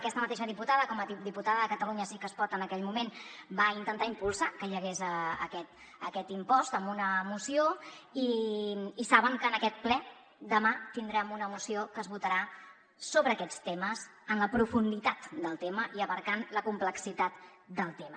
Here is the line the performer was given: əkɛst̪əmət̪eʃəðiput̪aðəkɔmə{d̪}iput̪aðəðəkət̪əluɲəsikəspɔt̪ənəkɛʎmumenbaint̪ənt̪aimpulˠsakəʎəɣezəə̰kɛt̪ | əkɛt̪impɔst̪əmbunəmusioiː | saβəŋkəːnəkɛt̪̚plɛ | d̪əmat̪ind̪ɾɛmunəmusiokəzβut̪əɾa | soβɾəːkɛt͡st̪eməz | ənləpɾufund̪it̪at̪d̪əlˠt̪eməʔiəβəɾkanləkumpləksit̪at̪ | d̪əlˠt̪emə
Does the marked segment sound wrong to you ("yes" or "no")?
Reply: no